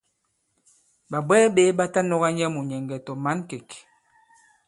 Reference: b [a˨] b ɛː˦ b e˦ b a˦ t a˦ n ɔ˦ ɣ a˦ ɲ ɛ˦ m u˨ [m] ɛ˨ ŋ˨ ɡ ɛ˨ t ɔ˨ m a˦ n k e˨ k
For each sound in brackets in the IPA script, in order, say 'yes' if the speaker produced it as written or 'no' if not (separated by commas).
yes, no